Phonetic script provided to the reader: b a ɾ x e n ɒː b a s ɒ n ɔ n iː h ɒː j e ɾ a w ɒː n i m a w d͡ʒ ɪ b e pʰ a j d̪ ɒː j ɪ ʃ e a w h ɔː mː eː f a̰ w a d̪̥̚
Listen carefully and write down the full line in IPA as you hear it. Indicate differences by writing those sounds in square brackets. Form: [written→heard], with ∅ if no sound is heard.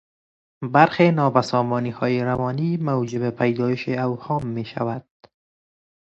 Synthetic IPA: b a ɾ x e n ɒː b a s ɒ [n→m] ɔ n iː h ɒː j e ɾ a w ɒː n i m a w d͡ʒ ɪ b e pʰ a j d̪ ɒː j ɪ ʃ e a w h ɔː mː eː [f→ʃ] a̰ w a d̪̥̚